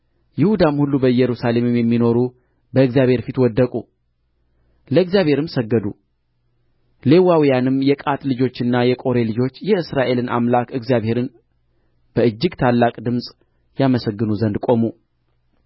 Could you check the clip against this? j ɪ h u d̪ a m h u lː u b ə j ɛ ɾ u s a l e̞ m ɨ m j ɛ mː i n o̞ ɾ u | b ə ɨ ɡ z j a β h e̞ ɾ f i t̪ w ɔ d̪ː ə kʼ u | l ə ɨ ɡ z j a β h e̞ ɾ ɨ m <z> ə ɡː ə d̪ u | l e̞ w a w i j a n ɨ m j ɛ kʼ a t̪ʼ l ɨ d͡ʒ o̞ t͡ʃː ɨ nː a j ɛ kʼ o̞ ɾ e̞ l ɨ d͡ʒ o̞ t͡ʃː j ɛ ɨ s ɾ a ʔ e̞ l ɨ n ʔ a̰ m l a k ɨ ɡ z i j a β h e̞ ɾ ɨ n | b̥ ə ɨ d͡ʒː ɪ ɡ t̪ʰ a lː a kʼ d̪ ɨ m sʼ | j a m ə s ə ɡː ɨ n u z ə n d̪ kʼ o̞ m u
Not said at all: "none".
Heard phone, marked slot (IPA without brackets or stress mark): s